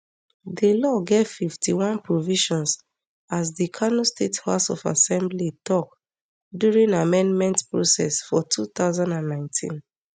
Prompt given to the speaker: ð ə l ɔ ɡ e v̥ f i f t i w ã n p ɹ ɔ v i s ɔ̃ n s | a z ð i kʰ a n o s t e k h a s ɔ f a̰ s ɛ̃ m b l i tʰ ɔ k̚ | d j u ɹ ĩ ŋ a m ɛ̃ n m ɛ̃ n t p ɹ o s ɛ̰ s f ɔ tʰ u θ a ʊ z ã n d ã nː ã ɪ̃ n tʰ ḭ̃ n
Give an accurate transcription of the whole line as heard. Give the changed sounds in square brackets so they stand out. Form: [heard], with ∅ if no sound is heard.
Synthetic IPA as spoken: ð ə l ɔ ɡ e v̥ f i f t i w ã n p ɹ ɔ v i [ʃ] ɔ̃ n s | a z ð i kʰ a n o s t e [t] h a s ɔ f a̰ s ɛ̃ m b l i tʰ ɔ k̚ | d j u ɹ ĩ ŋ a m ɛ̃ n m ɛ̃ n t p ɹ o s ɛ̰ s f ɔ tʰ u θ a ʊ z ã n d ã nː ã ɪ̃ n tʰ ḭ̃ n